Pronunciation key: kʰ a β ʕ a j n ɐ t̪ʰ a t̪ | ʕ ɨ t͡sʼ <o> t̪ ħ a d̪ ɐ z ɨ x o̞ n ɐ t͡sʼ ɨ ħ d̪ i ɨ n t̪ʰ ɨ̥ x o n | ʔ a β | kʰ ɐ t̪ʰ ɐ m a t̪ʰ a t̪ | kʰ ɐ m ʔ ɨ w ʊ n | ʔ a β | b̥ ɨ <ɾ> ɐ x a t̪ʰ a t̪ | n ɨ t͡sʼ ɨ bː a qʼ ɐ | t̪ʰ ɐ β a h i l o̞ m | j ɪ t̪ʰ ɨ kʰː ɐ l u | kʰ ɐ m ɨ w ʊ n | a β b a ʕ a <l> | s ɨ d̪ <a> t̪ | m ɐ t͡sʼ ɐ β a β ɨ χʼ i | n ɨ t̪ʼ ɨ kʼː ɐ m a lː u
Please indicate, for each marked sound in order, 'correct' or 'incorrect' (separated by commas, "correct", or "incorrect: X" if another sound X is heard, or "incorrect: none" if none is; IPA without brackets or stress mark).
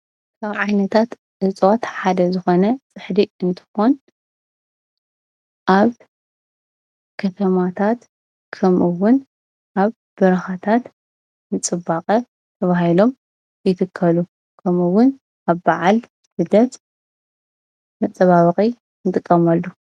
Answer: correct, correct, correct, incorrect: ɐ